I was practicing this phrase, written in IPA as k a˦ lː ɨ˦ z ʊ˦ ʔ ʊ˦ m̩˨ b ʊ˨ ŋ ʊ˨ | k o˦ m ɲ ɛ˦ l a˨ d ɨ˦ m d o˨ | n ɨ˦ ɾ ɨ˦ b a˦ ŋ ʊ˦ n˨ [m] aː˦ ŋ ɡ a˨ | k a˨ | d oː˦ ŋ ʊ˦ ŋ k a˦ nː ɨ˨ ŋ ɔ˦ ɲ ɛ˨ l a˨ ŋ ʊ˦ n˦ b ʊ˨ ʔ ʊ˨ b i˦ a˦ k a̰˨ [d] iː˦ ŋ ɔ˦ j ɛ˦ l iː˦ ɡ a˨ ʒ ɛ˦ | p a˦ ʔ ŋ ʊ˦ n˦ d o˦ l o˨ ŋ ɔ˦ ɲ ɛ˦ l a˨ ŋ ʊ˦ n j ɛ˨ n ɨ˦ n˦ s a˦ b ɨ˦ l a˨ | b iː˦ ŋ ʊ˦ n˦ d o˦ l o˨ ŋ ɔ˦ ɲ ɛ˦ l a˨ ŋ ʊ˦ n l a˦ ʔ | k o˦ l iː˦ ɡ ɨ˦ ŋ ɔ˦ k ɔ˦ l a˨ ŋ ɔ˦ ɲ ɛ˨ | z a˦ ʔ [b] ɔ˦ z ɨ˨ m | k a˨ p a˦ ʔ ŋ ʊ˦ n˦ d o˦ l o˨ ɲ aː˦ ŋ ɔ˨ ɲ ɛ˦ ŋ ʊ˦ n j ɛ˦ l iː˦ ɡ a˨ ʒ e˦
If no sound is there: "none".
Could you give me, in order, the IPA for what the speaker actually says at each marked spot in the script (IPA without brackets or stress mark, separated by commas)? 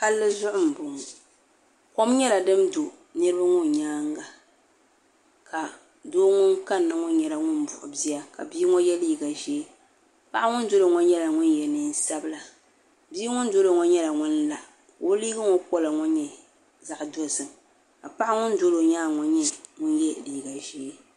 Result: ɲ, b, d